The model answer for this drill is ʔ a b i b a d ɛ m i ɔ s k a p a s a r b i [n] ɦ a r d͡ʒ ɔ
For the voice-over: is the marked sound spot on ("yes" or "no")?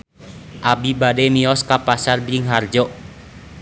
no